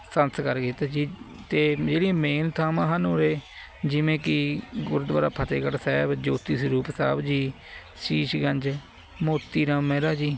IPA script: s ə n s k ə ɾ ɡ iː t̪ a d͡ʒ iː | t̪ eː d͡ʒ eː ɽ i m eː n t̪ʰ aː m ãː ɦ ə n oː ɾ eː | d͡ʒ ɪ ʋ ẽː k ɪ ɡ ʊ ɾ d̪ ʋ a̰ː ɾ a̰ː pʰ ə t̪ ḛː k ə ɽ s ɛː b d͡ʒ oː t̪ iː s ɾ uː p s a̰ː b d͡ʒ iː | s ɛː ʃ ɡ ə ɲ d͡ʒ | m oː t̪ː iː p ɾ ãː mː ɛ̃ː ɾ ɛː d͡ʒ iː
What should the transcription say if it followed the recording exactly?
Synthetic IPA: s ə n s k ə ɾ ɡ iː t̪ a d͡ʒ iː | t̪ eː d͡ʒ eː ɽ i m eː n t̪ʰ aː m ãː ɦ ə n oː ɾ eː | d͡ʒ ɪ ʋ ẽː k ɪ ɡ ʊ ɾ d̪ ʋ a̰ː ɾ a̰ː pʰ ə t̪ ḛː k ə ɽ s ɛː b d͡ʒ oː t̪ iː s ɾ uː p s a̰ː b d͡ʒ iː | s iː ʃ ɡ ə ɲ d͡ʒ | m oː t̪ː iː ɾ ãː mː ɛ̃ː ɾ aː d͡ʒ iː